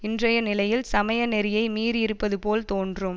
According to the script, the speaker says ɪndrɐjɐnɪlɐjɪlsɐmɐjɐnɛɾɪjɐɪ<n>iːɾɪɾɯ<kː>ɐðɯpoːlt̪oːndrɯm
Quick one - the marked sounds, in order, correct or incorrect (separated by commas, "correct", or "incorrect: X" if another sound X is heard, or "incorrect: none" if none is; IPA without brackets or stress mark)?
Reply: incorrect: m, incorrect: pː